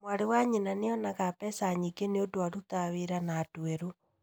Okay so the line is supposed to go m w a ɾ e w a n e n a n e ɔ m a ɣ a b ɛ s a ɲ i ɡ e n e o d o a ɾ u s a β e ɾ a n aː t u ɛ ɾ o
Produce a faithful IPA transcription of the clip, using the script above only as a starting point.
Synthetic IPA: m w a ɾ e w a ɲ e n a n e ɔ n a ɣ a p ɛ s a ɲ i ɡ e n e o d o a ɾ u t a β e ɾ a n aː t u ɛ ɾ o